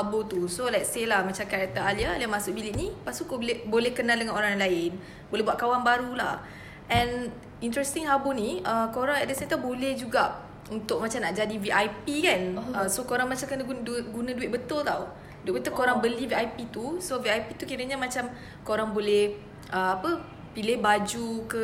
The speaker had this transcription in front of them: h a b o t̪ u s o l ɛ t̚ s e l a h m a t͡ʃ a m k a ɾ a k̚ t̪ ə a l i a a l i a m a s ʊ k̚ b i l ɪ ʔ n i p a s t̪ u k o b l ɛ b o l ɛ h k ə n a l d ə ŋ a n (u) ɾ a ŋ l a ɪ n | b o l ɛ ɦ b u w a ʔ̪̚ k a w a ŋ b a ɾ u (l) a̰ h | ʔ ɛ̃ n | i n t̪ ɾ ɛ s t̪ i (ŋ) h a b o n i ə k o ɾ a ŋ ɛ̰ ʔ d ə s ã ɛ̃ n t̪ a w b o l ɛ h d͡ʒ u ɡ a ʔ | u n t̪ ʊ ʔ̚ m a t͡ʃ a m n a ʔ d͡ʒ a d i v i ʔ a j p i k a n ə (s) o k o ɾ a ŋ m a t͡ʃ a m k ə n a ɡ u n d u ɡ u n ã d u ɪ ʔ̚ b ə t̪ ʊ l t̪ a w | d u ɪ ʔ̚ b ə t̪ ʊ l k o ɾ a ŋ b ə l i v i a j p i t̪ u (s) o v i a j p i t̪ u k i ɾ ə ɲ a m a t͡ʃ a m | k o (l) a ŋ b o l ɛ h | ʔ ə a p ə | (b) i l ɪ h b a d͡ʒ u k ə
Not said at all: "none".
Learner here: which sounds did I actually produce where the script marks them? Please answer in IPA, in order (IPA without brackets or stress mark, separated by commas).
o, l, ŋ, s, s, ɾ, p